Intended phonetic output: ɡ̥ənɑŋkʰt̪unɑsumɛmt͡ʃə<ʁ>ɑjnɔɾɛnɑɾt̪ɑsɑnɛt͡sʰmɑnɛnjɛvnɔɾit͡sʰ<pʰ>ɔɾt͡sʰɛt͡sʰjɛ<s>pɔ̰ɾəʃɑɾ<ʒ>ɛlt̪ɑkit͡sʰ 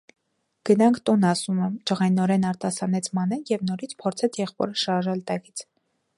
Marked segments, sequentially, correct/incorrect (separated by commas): correct, correct, incorrect, correct